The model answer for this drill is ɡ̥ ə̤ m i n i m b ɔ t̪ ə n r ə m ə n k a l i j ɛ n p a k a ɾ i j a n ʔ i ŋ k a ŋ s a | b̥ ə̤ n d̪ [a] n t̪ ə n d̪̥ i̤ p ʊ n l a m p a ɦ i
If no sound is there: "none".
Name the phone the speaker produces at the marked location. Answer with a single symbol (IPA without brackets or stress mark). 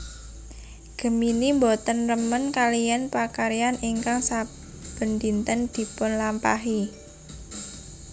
i